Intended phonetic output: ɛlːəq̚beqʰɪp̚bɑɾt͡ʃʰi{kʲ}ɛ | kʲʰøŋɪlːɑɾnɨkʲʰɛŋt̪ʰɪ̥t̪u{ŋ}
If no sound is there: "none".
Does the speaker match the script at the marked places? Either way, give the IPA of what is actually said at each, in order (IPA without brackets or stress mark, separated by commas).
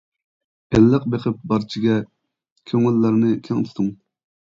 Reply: ɡʲ, ŋ